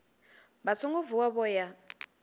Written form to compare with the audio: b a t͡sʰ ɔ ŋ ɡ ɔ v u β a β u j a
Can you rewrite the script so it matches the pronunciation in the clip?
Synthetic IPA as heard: b a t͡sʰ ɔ ŋ ɡ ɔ v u w a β ɔ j a